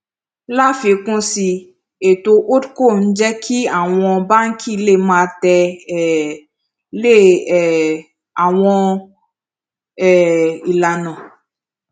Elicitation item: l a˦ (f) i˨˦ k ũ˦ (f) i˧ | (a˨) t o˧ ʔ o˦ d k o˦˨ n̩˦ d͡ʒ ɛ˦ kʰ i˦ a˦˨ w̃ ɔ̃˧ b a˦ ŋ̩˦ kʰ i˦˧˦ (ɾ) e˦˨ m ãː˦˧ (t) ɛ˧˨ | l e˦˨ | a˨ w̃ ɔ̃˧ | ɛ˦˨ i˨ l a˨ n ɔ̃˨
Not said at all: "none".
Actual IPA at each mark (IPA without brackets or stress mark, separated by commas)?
f, s, e˨, l, t